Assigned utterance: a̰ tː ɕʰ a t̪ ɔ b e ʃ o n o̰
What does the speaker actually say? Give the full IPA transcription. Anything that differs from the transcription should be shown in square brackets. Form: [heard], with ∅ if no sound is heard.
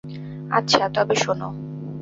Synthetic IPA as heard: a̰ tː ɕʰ a t̪ ɔ b e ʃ o n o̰